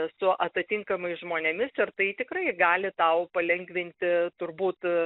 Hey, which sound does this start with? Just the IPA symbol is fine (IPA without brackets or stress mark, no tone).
s